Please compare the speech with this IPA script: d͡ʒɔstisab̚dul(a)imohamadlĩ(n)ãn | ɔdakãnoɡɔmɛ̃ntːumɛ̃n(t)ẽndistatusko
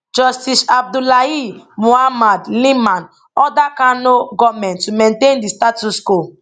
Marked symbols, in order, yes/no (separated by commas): yes, no, yes